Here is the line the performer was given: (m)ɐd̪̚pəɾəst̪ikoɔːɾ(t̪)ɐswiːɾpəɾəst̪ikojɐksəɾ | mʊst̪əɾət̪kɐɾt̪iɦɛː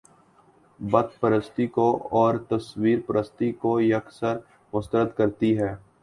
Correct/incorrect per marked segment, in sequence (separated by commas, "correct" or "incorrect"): incorrect, correct